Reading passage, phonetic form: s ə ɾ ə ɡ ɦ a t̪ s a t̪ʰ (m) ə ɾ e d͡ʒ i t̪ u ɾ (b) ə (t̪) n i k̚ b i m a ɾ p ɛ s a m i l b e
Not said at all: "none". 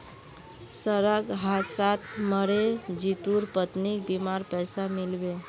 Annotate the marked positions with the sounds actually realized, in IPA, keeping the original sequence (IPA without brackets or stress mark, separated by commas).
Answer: m, p, t̪